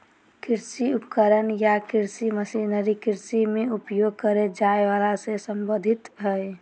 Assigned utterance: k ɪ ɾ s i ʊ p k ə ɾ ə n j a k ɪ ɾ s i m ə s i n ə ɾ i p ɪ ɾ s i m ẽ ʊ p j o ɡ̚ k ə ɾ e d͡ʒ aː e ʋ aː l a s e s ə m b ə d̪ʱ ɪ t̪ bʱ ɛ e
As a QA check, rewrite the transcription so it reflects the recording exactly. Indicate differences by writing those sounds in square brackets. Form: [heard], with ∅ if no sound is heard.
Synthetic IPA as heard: k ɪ ɾ s i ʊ p k ə ɾ ə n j a k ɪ ɾ s i m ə s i n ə ɾ i [k] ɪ ɾ s i m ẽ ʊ p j o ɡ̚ k ə ɾ e d͡ʒ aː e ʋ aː l a s e s ə m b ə d̪ʱ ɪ t̪ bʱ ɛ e